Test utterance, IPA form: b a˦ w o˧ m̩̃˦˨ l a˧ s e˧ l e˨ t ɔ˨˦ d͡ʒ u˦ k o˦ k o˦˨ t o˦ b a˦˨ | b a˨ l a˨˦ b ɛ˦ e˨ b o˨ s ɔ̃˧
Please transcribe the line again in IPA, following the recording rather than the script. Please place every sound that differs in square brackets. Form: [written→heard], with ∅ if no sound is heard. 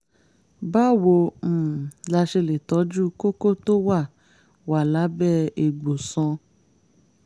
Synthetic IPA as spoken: b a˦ w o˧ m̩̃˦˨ l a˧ [s→ʃ] e˧ l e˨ t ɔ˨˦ d͡ʒ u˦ k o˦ k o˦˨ t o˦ [b→w] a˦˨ | [b→w] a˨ l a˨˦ b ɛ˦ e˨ [b→ɡ͡b] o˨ s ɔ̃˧